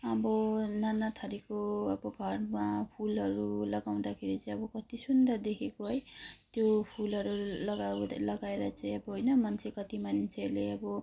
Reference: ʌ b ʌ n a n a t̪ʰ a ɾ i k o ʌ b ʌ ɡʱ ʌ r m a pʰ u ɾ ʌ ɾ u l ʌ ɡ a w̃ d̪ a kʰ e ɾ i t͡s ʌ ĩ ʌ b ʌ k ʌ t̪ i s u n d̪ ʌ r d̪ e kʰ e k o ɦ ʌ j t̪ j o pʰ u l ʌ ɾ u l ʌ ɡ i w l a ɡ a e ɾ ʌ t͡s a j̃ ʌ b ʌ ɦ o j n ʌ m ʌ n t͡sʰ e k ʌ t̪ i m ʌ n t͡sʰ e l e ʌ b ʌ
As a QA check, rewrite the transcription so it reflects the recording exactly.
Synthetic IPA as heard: ʌ b ʌ n a n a t̪ʰ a ɾ i k o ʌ b ʌ ɡʱ ʌ r m a pʰ u l ʌ ɾ u l ʌ ɡ a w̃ d̪ a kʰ e ɾ i t͡s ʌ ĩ ʌ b ʌ k ʌ t̪ i s u n d̪ ʌ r d̪ e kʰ e k o ɦ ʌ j t̪ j o pʰ u l ʌ ɾ u l ʌ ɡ a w l ʌ ɡ a e ɾ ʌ t͡s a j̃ ʌ b ʌ ɦ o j n ʌ m ʌ n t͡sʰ e k ʌ t̪ i m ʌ n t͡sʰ e l e ʌ b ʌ